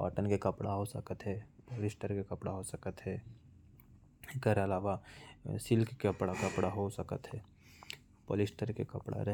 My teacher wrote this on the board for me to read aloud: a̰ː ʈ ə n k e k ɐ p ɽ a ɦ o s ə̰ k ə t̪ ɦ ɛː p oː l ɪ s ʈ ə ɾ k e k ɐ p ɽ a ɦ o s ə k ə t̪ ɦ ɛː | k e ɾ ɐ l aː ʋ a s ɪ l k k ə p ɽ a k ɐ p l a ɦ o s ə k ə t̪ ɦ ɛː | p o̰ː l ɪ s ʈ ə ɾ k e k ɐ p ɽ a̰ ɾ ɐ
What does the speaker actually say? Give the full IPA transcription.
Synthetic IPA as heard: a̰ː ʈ ə n k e k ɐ p ɽ a ɦ o s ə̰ k ə t̪ ɦ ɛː p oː l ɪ s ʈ ə ɾ k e k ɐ p ɽ a ɦ o s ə k ə t̪ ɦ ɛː | k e ɾ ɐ l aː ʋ a s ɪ l k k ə p ɽ a k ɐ p ɽ a ɦ o s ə k ə t̪ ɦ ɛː | p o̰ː l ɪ s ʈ ə ɾ k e k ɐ p ɽ a̰ ɾ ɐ